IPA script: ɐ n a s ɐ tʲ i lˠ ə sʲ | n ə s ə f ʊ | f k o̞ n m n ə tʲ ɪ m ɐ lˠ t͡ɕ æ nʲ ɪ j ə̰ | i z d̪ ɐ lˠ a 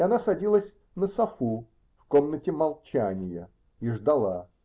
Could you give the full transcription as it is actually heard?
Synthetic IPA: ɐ n a s ɐ dʲ i lˠ ə sʲ | n ə s ɐ f u | f k o̞ m n ə tʲ ɪ m ɐ lˠ t͡ɕ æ nʲ ɪ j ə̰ | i ʐ d̪ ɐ lˠ a